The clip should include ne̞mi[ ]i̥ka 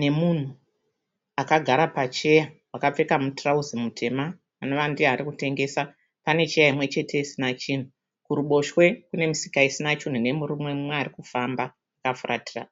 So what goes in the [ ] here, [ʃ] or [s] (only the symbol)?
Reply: s